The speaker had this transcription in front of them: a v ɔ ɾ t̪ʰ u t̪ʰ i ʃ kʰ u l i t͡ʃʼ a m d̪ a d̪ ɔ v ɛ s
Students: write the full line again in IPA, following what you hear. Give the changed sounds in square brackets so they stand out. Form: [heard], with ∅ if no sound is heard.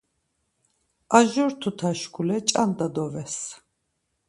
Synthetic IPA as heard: a [ʒ] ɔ ɾ t̪ʰ u t̪ʰ [a] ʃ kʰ u l [ɛ] t͡ʃʼ a [n] d̪ a d̪ ɔ v ɛ s